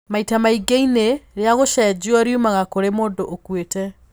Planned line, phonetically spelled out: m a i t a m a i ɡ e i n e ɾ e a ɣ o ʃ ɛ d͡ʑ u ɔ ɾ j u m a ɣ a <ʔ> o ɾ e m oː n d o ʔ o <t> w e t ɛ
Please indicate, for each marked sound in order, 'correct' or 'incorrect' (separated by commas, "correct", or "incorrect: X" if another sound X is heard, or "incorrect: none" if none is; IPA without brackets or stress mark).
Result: incorrect: k, incorrect: k